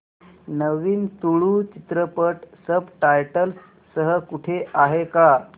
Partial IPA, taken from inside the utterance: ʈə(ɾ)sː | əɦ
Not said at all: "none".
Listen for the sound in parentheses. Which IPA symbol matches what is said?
l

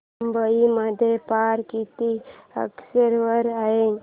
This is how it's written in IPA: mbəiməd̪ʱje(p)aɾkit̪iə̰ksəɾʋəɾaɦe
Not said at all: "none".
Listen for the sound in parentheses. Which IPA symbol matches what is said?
p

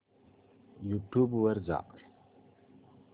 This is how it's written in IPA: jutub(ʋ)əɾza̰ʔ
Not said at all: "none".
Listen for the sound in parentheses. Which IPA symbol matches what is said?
w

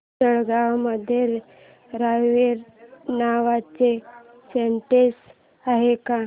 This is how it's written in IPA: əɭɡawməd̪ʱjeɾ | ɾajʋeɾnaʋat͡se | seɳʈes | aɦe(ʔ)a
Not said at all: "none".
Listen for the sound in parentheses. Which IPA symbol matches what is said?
k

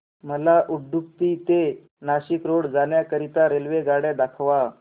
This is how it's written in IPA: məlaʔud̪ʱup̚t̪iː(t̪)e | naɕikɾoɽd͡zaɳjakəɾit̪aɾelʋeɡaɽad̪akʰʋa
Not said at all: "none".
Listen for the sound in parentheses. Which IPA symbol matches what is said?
t̪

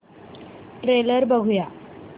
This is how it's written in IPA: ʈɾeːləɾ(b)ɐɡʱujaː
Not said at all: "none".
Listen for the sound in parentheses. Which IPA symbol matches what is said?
b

